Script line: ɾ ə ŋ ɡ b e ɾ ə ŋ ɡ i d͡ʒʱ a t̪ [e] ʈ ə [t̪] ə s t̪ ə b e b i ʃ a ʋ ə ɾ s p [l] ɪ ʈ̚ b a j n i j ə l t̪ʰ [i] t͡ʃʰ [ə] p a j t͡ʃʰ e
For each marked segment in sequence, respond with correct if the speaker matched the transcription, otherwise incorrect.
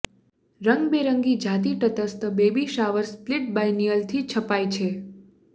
incorrect, correct, correct, correct, correct

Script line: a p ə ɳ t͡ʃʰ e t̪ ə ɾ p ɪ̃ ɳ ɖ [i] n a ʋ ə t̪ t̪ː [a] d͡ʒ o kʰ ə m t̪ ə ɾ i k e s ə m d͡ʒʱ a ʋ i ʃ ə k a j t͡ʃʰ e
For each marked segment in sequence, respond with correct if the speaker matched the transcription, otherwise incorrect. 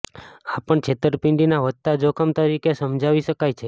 correct, correct

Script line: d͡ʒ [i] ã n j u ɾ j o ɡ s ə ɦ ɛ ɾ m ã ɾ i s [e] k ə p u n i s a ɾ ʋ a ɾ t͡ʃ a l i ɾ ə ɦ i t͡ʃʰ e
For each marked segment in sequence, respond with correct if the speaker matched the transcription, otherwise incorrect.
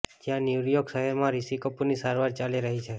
incorrect, incorrect

